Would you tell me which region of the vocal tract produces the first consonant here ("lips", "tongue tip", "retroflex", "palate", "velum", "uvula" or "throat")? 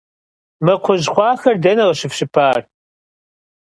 lips